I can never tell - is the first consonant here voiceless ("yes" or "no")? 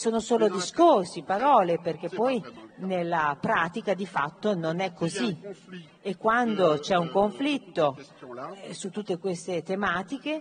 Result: yes